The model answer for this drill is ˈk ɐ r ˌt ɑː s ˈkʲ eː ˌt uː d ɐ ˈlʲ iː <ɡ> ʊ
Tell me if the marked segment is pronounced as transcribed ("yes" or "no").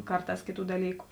no